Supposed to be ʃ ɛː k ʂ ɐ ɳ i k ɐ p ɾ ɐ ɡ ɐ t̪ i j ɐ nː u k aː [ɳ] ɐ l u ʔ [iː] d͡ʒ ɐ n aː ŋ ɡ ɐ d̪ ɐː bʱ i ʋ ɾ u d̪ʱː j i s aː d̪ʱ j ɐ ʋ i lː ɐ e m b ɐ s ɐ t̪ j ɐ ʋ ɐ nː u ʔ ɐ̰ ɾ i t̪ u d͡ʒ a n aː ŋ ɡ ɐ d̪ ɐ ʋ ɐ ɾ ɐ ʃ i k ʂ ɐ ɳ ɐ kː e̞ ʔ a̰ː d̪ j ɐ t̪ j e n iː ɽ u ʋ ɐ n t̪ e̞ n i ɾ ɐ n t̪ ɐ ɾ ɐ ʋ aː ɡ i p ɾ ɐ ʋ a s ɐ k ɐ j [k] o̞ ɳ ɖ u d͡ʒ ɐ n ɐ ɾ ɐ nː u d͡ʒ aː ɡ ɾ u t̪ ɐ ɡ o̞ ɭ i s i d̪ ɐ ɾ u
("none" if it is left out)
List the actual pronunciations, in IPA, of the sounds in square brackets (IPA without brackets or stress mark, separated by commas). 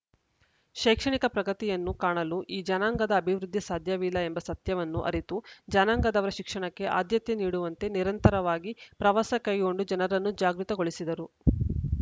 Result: ɳ, iː, ɡ